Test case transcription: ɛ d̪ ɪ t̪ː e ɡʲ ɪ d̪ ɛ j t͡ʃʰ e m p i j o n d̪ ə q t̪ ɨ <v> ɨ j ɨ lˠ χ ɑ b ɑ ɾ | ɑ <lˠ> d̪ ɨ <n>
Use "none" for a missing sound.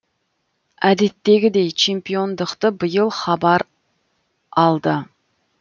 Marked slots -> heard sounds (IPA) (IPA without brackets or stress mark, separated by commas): b, lˠ, none